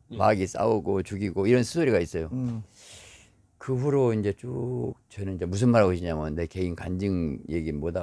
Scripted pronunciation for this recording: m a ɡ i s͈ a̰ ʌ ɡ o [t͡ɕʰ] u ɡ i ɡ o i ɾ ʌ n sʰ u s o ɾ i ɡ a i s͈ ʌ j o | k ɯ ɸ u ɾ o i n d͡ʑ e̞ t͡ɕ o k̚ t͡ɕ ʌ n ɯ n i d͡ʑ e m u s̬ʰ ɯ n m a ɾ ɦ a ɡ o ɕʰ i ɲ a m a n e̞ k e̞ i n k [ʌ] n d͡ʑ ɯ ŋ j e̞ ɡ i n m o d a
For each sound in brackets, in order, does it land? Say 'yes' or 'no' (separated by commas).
no, no